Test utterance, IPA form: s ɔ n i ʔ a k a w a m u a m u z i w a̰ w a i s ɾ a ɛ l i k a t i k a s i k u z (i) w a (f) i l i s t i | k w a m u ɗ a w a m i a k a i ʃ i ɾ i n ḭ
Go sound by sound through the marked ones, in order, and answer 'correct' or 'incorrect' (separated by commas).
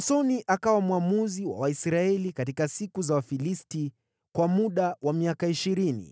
incorrect, correct